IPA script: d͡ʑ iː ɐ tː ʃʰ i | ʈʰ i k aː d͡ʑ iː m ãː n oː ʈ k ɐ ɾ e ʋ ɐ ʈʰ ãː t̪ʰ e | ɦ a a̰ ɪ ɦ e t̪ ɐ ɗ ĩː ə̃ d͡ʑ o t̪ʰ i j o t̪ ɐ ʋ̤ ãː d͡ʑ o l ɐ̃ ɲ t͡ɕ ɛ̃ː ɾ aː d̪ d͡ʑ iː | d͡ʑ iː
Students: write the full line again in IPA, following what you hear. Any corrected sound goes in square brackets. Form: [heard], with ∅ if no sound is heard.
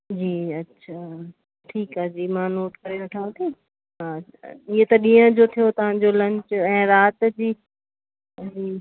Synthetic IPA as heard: d͡ʑ iː ɐ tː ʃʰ [a] | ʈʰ [iː] k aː d͡ʑ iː m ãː n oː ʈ k ɐ ɾ e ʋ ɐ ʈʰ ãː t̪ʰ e | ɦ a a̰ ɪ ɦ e t̪ ɐ ɗ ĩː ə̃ d͡ʑ o t̪ʰ i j o t̪ ɐ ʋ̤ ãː d͡ʑ o l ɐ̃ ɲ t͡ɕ ɛ̃ː ɾ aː [t̪] d͡ʑ iː | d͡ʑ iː